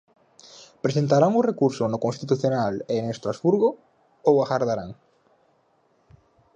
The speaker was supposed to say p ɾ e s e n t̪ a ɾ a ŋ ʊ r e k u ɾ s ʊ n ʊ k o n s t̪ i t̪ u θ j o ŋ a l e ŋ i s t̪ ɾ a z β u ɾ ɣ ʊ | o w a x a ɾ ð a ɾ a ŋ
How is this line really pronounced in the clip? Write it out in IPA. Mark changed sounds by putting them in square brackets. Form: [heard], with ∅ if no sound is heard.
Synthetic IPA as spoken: p ɾ e s e n t̪ a ɾ a ŋ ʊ r e k u ɾ s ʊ n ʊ k o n s t̪ i t̪ u θ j o [n] a l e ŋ [e] s t̪ ɾ a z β u ɾ ɣ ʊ | o w a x a ɾ ð a ɾ a ŋ